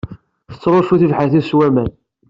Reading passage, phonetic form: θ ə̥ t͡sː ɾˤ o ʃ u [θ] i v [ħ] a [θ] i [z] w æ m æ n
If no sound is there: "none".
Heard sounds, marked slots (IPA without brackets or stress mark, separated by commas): θ, ħ, θ, s